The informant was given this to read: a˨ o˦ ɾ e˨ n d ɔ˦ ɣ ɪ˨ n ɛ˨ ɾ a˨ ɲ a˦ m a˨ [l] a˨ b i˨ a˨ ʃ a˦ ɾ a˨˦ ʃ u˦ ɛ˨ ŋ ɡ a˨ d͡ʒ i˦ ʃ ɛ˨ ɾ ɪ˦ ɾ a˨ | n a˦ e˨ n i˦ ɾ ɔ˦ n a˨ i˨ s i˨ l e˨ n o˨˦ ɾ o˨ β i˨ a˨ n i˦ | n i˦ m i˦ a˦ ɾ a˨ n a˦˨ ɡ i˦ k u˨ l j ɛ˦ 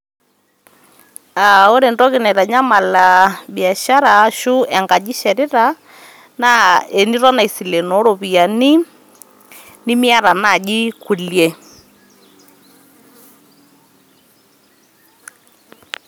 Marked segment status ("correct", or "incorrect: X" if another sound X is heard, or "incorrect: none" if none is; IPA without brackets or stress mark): correct